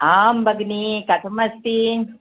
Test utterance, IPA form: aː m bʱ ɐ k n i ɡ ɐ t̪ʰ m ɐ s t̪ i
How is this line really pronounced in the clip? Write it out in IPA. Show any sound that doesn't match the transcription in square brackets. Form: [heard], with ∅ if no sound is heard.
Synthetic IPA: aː m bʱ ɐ [ɡ] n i [k] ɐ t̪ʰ m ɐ s t̪ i